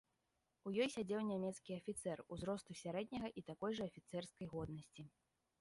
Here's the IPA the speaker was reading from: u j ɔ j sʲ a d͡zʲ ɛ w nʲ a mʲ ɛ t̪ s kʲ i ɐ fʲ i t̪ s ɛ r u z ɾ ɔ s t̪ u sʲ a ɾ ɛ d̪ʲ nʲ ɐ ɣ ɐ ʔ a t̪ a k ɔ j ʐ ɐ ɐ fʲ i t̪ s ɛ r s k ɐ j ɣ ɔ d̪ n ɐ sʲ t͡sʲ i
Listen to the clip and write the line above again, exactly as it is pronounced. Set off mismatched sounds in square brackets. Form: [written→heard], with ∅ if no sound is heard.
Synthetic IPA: u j ɔ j sʲ a d͡zʲ ɛ w nʲ a mʲ ɛ t̪ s kʲ i ɐ fʲ i t̪ s ɛ r u z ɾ ɔ s t̪ u sʲ a ɾ ɛ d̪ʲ nʲ ɐ ɣ ɐ ʔ [a→i] t̪ a k ɔ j ʐ ɐ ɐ fʲ i t̪ s ɛ r s k ɐ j ɣ ɔ d̪ n ɐ sʲ t͡sʲ i